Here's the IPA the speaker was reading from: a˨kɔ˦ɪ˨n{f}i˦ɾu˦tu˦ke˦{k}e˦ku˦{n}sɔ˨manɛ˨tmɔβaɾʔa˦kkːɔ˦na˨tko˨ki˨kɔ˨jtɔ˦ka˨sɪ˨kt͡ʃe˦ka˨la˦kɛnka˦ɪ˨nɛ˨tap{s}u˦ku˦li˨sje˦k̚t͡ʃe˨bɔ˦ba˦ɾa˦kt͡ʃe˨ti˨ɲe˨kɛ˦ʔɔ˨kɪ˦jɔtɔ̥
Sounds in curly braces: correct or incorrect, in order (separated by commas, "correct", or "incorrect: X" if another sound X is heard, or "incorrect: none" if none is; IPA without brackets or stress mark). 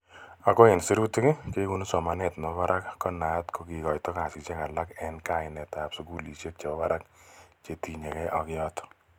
incorrect: s, correct, correct, correct